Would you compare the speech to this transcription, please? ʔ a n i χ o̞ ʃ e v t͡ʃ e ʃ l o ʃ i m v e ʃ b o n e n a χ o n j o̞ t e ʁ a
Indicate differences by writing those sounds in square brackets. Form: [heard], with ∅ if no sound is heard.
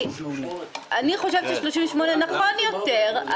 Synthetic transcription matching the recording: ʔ a n i χ o̞ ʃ e v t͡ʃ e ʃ l o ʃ i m v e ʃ [m] o n e n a χ o n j o̞ t e ʁ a